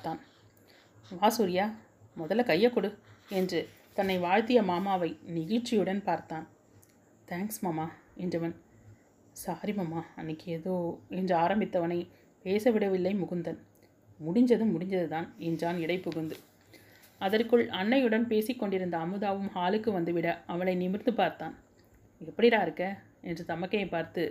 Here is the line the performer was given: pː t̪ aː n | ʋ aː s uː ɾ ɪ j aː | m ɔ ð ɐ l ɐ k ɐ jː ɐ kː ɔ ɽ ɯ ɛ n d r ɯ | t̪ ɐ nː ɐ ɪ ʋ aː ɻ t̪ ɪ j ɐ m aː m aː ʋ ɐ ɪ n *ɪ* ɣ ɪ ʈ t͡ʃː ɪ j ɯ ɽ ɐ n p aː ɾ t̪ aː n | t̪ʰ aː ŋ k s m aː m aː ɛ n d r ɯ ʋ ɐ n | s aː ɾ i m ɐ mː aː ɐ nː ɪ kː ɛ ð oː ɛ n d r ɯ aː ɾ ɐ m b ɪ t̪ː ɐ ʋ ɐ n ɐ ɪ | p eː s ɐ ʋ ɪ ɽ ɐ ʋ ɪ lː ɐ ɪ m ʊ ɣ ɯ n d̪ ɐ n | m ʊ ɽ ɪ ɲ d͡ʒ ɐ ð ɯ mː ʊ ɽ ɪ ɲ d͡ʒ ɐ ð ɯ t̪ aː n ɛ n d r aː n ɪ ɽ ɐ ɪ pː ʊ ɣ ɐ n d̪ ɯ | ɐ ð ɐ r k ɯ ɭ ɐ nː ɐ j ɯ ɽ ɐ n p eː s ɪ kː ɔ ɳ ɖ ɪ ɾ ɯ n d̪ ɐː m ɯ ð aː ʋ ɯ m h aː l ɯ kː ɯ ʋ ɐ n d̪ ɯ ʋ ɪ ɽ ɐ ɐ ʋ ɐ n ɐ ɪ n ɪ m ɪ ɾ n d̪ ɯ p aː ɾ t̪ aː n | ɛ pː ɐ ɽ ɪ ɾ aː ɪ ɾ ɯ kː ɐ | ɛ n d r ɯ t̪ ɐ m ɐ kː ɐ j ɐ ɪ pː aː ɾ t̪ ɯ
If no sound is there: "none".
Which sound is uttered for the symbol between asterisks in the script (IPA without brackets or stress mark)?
ɪ